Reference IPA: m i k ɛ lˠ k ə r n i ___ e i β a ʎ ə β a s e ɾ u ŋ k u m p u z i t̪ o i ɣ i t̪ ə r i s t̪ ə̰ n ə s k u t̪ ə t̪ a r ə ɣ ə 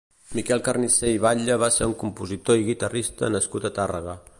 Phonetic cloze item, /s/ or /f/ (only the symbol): s